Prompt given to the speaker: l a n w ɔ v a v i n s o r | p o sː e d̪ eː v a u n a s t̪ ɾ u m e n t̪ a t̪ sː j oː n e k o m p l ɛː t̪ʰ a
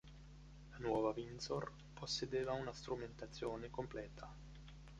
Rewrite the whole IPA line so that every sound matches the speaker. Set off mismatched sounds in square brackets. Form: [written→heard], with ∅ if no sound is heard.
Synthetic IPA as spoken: l a n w ɔ v a v i n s o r | p o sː e d̪ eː v a u n a s t̪ ɾ u m e n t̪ a t̪ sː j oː n e k o m p l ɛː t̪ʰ a